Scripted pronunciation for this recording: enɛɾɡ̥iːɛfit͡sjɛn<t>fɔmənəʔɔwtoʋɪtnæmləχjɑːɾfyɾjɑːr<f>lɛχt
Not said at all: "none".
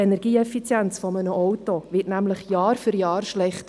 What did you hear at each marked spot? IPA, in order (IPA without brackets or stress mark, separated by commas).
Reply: t͡s, ʃ